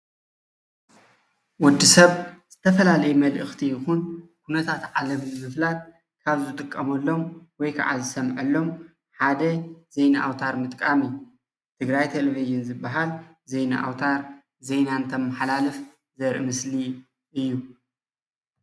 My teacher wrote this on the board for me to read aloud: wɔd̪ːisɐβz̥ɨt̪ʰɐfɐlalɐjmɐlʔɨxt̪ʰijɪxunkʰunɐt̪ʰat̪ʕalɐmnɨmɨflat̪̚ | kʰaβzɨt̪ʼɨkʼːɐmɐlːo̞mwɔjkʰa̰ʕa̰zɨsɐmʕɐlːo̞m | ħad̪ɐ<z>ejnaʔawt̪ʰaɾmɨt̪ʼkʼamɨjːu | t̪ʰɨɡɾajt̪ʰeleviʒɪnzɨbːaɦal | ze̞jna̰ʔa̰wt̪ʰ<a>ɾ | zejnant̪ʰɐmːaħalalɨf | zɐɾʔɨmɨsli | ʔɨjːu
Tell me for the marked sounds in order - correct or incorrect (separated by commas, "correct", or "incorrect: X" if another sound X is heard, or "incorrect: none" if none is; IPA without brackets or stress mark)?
correct, correct